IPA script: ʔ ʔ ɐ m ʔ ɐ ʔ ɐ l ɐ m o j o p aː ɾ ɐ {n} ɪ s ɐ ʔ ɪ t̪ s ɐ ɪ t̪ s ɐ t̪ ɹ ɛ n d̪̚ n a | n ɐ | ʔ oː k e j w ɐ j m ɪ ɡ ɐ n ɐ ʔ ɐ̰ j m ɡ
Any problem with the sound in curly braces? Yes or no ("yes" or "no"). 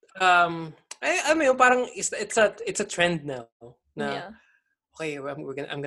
yes